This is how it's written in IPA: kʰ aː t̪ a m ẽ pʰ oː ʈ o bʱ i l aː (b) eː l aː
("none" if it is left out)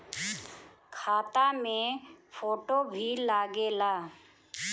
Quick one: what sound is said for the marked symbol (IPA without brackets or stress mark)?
ɡ